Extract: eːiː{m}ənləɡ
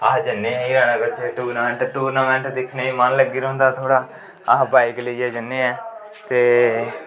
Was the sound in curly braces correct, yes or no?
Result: yes